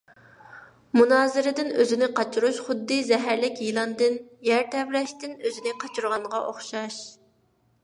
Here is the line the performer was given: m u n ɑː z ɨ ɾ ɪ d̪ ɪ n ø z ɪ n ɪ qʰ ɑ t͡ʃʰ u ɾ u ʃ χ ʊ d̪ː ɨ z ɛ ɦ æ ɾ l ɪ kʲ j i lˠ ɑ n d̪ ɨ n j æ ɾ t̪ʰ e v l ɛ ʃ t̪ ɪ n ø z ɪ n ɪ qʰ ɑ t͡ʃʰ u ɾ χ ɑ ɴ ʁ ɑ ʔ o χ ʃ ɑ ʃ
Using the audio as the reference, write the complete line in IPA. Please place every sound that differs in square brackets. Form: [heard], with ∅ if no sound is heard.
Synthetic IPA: m u n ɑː z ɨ ɾ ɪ d̪ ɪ n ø z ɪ n ɪ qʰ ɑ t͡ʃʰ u ɾ u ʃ χ ʊ d̪ː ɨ z ɛ ɦ æ ɾ l ɪ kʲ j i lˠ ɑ n d̪ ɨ n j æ ɾ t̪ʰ [ɛ] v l ɛ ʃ t̪ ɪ n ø z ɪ n ɪ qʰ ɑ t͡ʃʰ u ɾ [ʁ] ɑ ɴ ʁ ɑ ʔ o χ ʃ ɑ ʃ